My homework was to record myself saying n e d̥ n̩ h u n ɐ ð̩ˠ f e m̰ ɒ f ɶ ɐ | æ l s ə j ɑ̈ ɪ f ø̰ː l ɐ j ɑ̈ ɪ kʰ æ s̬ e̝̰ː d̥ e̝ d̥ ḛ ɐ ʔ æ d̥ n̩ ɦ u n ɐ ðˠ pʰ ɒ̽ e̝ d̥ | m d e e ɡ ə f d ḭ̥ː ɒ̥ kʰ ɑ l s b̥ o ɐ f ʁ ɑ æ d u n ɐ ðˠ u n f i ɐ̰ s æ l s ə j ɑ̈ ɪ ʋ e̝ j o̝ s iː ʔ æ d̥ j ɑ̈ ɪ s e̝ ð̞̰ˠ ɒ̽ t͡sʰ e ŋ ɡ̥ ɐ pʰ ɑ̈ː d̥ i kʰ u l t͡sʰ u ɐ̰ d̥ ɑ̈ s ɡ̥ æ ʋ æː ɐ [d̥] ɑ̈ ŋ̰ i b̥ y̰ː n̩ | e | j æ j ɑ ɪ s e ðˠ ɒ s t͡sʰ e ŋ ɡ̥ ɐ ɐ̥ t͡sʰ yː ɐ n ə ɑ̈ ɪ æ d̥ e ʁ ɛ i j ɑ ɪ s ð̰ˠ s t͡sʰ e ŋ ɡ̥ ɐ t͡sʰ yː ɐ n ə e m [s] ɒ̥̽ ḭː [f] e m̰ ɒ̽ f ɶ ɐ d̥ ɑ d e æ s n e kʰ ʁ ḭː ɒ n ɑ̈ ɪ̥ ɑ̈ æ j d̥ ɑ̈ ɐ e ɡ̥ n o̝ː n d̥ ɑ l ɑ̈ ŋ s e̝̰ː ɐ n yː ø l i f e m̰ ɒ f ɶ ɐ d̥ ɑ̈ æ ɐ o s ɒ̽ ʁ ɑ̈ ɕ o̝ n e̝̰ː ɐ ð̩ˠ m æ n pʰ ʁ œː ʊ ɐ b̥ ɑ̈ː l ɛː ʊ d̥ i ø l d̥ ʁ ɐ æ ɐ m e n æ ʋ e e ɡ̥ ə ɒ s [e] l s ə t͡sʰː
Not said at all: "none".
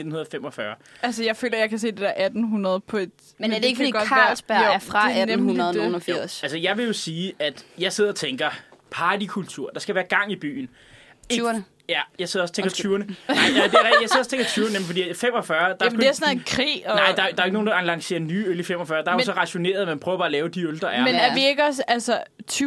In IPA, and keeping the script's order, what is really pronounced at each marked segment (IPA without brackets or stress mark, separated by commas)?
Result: ɡ̥, f, f, æ